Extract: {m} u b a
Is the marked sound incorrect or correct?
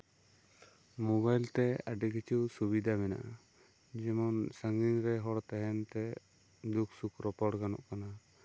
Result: correct